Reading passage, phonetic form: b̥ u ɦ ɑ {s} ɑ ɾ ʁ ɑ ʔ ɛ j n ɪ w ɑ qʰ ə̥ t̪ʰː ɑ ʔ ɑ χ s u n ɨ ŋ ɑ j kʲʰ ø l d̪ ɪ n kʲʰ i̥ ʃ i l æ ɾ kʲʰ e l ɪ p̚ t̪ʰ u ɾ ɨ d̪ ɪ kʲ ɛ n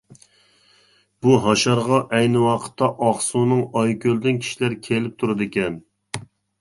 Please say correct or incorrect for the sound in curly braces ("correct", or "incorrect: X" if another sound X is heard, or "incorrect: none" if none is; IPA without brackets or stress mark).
incorrect: ʃ